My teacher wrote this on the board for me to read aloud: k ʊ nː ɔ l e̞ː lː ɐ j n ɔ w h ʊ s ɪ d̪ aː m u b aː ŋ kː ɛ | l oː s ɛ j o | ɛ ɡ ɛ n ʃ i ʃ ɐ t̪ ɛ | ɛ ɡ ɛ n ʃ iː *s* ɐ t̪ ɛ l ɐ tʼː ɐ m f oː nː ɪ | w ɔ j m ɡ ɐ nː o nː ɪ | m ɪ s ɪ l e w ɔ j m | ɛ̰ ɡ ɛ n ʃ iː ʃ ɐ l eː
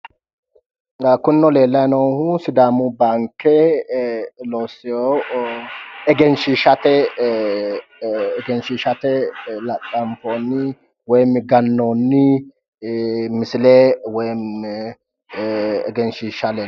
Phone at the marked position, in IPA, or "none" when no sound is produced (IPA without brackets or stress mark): ʃ